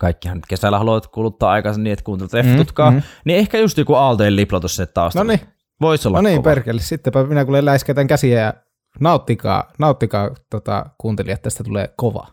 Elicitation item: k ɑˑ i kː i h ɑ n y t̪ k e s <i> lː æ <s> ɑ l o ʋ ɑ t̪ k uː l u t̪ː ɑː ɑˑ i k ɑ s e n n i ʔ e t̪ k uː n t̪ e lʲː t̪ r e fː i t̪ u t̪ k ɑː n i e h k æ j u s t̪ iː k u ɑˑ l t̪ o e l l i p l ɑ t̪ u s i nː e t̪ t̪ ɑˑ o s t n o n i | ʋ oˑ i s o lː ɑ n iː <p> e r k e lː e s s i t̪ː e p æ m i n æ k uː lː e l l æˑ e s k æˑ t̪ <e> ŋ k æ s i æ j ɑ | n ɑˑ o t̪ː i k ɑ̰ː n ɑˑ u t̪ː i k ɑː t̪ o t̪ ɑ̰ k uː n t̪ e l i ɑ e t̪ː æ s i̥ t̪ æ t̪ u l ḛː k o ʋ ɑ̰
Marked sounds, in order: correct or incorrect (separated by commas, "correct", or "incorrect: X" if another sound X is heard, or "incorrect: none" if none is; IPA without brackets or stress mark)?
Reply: incorrect: æ, incorrect: h, correct, incorrect: æ